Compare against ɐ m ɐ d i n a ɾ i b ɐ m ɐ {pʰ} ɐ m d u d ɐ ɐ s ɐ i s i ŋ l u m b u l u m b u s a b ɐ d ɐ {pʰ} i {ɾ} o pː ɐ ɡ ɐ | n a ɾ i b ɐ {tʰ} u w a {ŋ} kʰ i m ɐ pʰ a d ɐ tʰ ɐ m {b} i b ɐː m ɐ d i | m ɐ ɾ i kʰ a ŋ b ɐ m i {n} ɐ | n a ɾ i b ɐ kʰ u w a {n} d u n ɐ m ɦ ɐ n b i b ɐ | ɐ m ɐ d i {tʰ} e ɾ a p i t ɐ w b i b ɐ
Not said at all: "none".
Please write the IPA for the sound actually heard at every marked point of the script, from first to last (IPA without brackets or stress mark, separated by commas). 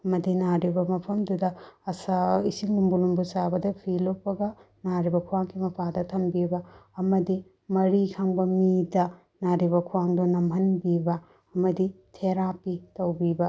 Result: pʰ, pʰ, l, kʰ, ŋ, b, d, ŋ, tʰ